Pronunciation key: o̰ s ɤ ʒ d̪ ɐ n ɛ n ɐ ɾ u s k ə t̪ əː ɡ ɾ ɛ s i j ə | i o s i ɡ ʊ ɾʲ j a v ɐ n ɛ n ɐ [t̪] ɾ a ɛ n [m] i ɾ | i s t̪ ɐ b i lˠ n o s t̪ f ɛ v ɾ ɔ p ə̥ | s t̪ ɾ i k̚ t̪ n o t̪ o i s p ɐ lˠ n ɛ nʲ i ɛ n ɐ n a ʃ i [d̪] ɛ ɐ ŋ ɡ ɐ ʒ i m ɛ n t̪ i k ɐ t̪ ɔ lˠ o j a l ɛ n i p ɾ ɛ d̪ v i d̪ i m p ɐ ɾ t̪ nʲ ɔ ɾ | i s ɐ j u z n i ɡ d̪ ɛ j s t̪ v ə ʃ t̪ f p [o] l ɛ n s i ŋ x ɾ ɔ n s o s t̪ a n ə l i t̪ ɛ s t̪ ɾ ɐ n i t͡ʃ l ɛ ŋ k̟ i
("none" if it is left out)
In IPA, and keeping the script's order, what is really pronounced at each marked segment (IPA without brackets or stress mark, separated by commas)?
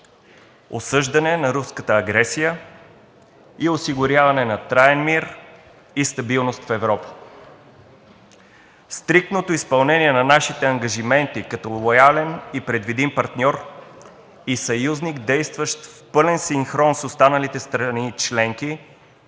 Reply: t̪, m, t̪, ɤ